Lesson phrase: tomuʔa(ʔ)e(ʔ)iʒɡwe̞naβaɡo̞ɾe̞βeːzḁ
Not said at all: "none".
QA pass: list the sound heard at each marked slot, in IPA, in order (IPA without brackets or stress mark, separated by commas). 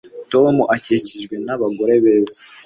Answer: c, c